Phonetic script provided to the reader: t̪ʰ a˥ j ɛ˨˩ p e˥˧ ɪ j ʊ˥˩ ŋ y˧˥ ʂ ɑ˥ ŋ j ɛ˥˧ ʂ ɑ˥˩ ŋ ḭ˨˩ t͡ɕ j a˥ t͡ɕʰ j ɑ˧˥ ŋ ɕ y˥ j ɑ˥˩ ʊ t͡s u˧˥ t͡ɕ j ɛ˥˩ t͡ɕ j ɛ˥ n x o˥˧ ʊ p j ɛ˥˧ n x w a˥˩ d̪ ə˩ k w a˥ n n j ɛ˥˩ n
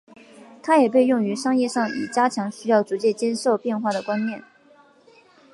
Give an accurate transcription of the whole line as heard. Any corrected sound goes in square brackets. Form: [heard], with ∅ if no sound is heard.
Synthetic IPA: t̪ʰ a˥ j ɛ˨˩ p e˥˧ ɪ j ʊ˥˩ ŋ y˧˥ ʂ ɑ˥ ŋ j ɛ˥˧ ʂ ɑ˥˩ ŋ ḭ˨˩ t͡ɕ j a˥ t͡ɕʰ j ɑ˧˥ ŋ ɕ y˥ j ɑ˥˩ ʊ t͡s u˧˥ t͡ɕ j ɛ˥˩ t͡ɕ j ɛ˥ n [ʂ] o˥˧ ʊ p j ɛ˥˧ n x w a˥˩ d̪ ə˩ k w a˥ n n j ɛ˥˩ n